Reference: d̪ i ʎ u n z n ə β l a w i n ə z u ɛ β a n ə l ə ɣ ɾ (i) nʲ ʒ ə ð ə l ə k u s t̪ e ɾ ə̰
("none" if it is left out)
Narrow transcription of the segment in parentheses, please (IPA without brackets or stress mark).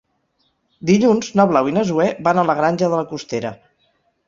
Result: a